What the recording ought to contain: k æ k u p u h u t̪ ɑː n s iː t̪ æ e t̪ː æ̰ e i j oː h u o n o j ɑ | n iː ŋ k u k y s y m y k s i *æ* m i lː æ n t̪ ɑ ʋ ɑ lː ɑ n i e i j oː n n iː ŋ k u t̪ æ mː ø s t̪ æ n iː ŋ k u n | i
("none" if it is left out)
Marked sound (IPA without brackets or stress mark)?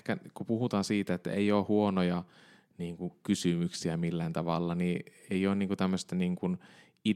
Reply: æ